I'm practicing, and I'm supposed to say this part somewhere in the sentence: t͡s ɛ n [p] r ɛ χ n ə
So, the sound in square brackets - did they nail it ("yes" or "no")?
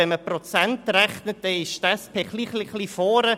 no